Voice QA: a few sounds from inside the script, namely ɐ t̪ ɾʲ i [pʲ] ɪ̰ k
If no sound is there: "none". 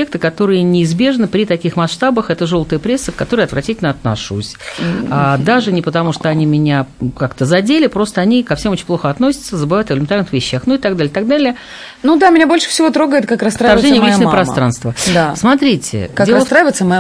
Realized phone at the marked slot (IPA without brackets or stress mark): tʲ